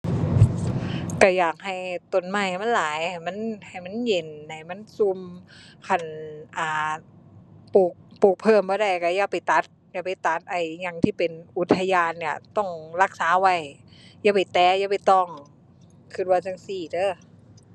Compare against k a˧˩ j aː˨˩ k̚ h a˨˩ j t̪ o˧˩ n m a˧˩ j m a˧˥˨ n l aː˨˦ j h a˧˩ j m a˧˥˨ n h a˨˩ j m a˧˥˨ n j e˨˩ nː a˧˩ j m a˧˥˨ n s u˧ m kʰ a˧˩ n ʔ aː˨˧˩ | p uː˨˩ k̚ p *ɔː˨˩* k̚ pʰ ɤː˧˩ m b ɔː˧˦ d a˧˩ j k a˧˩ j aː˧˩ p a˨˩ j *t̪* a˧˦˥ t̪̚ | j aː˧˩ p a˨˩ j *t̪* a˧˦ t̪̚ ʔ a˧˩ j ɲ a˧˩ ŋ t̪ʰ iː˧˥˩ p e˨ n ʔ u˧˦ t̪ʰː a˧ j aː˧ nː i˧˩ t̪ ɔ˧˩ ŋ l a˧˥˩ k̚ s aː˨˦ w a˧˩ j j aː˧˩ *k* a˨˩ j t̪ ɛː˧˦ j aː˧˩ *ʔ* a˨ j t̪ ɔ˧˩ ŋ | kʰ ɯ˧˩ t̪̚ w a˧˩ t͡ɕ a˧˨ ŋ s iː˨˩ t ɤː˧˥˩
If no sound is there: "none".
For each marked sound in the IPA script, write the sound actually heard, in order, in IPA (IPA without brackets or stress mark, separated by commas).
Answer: uː˨˩, t̪, t̪, p, p